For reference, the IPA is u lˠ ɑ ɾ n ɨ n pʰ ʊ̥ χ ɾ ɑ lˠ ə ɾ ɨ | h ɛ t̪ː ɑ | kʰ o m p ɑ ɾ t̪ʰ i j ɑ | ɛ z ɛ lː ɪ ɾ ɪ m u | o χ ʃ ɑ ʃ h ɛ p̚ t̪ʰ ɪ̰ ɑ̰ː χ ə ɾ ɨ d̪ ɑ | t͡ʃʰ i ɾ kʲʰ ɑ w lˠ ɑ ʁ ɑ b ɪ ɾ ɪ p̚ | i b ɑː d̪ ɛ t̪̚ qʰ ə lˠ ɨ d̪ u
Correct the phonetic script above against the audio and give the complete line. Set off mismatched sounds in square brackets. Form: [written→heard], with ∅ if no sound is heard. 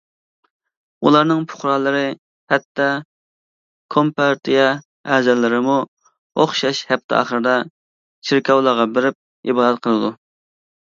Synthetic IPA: u lˠ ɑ ɾ n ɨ [n→ŋ] pʰ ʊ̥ χ ɾ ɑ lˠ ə ɾ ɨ | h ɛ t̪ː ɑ | kʰ o m p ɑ ɾ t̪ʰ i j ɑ | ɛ z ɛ lː ɪ ɾ ɪ m u | o χ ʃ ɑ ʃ h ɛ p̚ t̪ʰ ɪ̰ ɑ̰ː χ ə ɾ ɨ d̪ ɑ | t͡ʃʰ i ɾ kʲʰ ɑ w lˠ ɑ ʁ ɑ b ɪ ɾ ɪ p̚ | i b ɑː d̪ ɛ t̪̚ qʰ ə lˠ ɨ d̪ u